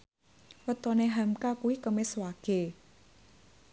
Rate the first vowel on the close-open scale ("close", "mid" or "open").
mid